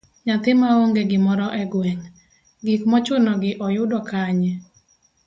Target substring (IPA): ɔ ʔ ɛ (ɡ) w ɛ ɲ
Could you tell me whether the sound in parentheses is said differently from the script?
no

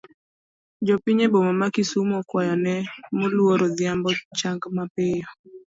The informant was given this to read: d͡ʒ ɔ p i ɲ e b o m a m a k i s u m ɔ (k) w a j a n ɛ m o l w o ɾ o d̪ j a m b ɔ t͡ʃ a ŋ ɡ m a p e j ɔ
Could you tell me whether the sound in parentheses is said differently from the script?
no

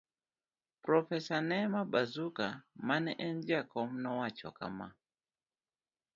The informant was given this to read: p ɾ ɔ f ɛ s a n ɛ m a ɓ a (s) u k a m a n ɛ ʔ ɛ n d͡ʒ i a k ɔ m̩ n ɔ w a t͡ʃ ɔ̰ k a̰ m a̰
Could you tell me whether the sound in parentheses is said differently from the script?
yes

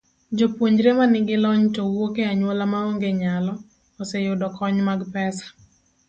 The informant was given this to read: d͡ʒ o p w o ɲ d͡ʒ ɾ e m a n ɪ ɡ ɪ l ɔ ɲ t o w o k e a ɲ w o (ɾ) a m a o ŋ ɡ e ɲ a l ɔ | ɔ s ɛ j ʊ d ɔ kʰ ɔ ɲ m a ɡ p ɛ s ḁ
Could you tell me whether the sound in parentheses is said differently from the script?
yes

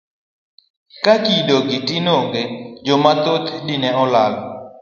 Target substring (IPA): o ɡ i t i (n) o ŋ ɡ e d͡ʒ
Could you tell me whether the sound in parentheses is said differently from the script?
no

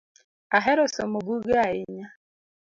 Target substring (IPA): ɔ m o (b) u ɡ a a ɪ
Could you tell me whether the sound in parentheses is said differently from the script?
no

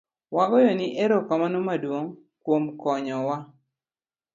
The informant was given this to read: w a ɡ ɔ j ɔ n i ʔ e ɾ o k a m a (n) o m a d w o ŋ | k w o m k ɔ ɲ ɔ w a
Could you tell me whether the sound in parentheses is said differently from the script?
no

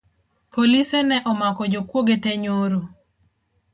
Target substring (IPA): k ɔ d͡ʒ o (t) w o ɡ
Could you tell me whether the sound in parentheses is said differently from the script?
yes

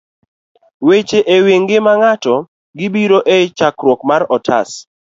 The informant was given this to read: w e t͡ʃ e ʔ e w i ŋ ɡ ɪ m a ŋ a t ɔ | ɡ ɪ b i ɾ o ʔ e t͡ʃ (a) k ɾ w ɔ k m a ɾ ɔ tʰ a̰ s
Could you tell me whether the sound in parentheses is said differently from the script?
no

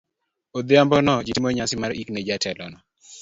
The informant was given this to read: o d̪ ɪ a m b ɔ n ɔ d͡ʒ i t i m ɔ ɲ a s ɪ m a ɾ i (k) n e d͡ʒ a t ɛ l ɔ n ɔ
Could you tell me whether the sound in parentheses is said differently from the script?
no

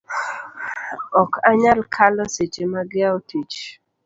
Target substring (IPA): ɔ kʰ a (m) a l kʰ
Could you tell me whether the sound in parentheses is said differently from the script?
yes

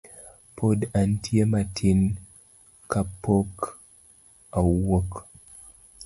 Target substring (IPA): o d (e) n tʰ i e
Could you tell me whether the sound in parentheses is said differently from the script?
yes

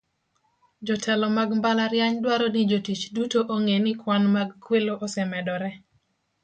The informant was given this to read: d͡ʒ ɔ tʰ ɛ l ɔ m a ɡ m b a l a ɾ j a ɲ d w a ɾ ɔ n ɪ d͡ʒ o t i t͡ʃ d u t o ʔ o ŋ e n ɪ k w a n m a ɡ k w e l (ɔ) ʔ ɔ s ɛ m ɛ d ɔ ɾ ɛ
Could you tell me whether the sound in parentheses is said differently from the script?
yes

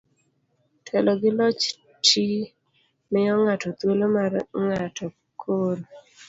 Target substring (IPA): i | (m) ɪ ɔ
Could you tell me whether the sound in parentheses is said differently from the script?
no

